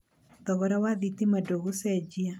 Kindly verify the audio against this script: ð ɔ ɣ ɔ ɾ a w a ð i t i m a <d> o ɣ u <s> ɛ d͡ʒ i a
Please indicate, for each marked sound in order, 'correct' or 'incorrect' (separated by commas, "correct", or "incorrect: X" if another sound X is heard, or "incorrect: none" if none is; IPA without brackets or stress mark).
correct, correct